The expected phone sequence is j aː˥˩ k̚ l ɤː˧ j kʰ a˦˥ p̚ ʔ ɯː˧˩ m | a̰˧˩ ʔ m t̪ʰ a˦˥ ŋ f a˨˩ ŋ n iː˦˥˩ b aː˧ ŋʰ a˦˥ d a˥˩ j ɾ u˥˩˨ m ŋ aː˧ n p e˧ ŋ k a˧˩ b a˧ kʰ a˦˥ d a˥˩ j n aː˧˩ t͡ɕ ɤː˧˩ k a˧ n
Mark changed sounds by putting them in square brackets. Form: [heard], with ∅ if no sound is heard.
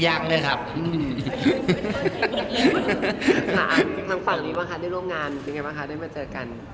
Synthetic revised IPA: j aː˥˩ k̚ l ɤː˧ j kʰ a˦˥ p̚ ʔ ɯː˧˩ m | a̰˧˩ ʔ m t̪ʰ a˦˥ ŋ f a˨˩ ŋ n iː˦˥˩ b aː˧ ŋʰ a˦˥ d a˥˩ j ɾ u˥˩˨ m ŋ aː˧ n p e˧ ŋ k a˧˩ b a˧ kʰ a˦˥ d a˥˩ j [m] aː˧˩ t͡ɕ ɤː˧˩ k a˧ n